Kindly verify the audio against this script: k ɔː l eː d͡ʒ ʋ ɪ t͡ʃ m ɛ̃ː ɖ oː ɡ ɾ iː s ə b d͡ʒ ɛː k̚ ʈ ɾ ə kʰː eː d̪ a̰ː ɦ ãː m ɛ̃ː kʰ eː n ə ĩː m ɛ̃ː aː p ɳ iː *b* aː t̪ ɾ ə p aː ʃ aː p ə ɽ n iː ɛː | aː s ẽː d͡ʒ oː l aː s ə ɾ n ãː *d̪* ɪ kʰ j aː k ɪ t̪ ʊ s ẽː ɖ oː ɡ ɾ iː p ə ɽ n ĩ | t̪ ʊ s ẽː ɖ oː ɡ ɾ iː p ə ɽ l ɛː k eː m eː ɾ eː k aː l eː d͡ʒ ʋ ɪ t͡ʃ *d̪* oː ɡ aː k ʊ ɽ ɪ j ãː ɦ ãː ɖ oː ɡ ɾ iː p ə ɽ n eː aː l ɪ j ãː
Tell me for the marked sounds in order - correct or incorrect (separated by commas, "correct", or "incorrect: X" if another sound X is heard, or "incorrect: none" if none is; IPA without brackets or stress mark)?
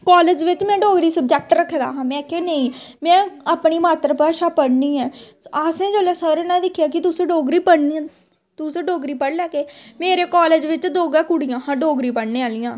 incorrect: m, correct, correct